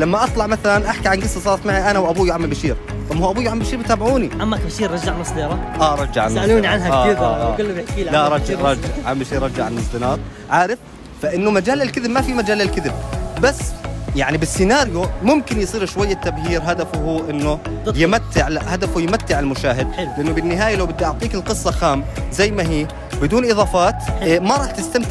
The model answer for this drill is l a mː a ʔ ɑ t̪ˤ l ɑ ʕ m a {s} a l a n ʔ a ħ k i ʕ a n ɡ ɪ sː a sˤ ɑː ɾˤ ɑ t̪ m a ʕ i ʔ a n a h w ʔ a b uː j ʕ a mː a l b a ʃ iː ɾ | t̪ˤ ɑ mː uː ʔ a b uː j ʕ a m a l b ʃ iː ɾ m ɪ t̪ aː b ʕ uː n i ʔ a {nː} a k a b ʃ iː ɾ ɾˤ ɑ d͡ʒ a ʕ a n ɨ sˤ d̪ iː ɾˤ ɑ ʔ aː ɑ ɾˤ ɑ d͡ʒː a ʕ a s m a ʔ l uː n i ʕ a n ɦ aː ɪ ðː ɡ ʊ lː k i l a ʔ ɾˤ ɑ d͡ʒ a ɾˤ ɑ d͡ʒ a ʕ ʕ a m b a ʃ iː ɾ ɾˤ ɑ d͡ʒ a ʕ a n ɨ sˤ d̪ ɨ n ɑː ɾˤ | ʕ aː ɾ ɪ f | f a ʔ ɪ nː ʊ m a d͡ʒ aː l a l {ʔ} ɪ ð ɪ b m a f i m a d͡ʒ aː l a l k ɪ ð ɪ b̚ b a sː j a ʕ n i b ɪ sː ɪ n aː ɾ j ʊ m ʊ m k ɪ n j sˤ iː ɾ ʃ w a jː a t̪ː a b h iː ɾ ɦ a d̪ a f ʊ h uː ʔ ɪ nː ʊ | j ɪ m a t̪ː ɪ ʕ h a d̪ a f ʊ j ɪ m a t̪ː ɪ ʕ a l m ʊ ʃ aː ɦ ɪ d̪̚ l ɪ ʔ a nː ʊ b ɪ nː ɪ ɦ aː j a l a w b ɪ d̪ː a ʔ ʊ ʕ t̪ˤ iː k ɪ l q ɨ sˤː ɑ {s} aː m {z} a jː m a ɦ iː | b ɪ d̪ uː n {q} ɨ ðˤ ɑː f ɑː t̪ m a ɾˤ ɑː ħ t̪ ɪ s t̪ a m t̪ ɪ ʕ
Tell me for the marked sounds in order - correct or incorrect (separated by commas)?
incorrect, incorrect, incorrect, incorrect, correct, incorrect